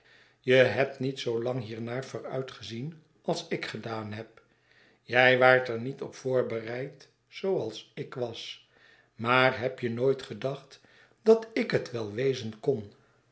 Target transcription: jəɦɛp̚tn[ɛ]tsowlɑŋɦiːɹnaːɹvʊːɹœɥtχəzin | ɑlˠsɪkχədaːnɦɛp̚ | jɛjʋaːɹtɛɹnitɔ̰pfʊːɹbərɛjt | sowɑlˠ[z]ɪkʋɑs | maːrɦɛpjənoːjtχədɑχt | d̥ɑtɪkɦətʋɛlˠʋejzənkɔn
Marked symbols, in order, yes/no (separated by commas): no, no